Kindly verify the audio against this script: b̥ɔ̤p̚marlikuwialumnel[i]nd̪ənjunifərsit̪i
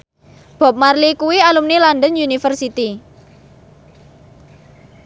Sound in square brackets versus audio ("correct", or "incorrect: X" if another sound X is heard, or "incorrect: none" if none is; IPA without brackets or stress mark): incorrect: a